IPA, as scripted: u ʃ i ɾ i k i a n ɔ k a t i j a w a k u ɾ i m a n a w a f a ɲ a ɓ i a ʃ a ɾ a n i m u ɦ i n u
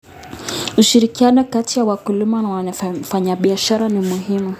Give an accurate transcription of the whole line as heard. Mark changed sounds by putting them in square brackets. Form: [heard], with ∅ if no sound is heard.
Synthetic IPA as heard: u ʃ i ɾ i k i a n ɔ k a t i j a w a k u [l] i m a n a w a f a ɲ a ɓ i a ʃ a ɾ a n i m u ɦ i [m] u